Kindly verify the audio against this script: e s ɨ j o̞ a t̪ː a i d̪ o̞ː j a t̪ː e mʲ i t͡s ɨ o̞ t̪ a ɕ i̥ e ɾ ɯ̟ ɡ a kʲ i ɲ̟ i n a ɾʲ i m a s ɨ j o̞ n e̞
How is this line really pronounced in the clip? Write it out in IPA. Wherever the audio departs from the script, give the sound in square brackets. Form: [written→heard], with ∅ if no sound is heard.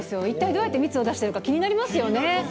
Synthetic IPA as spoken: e s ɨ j o̞ [a→i] t̪ː a i d̪ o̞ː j a t̪ː e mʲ i t͡s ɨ o̞ [t̪→d̪] a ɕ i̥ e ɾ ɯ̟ [ɡ→k] a kʲ i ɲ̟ i n a ɾʲ i m a s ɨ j o̞ n e̞